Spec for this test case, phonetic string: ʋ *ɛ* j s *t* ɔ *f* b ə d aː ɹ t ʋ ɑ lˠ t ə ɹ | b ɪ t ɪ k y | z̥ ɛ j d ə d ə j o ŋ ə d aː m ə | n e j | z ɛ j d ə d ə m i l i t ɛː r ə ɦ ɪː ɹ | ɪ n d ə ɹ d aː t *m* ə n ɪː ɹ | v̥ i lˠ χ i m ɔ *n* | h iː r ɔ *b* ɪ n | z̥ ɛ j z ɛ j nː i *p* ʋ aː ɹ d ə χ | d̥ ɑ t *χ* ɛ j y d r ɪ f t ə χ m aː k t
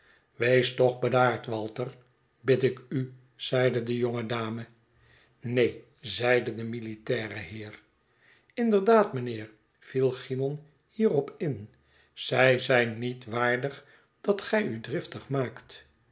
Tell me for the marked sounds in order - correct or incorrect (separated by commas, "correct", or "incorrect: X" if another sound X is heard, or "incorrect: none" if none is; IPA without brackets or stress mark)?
incorrect: e, correct, incorrect: χ, correct, correct, incorrect: p, incorrect: t, correct